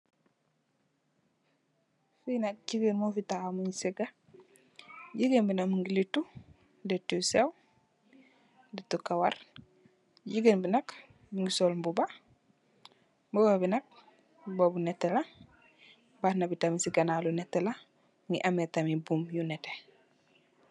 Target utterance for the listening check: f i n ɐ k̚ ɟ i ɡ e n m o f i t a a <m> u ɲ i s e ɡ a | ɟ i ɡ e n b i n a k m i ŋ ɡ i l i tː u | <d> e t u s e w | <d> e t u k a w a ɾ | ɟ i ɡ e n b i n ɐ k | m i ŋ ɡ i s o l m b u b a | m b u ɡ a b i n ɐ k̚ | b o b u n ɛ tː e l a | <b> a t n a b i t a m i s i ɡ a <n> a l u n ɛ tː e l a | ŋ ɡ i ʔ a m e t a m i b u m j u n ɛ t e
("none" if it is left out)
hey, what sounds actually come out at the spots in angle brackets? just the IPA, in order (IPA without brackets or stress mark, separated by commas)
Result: m, d, d, b, n